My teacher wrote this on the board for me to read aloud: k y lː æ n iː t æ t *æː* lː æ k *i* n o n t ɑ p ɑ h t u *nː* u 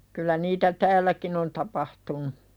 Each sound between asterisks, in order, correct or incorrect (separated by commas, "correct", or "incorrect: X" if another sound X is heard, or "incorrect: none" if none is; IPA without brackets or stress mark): correct, correct, incorrect: n